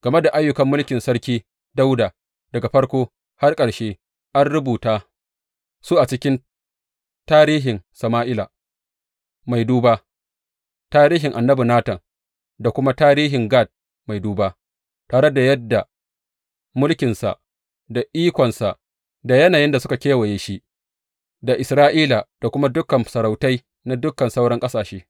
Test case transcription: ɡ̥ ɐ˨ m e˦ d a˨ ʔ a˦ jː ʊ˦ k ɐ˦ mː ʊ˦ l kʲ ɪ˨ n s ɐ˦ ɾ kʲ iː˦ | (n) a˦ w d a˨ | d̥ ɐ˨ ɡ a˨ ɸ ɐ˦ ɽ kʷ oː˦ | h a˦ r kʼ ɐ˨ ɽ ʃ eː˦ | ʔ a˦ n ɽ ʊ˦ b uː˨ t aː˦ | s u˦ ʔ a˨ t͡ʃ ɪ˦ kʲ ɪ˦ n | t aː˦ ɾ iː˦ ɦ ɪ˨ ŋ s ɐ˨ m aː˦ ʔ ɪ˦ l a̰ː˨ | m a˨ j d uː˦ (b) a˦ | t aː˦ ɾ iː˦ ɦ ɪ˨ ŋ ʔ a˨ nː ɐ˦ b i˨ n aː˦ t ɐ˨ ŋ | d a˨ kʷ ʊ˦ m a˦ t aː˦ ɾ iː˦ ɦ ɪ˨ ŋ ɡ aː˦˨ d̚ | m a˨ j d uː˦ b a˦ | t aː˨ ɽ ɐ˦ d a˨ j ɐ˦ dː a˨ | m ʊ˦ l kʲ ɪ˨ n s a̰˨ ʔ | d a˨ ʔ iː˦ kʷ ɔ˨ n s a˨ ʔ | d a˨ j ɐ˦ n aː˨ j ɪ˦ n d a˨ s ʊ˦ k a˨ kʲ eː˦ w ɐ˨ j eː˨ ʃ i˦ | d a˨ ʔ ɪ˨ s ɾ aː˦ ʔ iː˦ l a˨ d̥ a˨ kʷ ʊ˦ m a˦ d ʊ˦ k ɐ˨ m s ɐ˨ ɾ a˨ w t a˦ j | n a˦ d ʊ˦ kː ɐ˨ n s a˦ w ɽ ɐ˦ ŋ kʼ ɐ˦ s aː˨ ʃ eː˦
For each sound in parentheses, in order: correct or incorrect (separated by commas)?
incorrect, correct